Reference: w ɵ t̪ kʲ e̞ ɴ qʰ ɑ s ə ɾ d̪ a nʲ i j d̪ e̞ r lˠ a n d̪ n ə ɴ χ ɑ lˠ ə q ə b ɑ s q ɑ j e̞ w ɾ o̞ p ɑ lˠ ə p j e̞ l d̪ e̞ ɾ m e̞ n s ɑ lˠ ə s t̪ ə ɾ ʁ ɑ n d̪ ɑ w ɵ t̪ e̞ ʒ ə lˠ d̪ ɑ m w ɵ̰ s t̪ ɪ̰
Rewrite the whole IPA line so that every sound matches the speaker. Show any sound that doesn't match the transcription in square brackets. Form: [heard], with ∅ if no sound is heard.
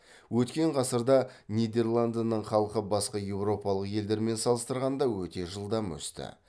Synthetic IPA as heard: w ɵ t̪ kʲ e̞ ɴ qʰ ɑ s ə ɾ d̪ [ɑ] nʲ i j d̪ e̞ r lˠ a n d̪ n ə ɴ χ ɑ lˠ ə q ə b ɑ s q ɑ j e̞ w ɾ o̞ p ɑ lˠ ə [q] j e̞ l d̪ e̞ ɾ m e̞ n s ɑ lˠ ə s t̪ ə ɾ ʁ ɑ n d̪ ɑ w ɵ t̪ e̞ ʒ ə lˠ d̪ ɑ m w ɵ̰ s t̪ ɪ̰